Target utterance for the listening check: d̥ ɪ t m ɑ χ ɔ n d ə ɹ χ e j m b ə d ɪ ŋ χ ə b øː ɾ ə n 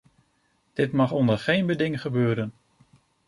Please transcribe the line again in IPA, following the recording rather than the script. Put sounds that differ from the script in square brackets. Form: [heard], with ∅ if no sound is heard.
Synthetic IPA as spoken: d̥ ɪ t m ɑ χ ɔ n d ə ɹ χ e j [n] b ə d ɪ ŋ χ ə b øː ɾ ə n